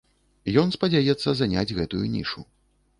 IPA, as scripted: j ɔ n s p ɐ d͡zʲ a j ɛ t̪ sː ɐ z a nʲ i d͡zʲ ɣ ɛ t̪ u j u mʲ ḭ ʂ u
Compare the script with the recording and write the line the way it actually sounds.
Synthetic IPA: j ɔ n s p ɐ d͡zʲ a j ɛ t̪ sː ɐ z a nʲ a d͡zʲ ɣ ɛ t̪ u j u nʲ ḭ ʂ u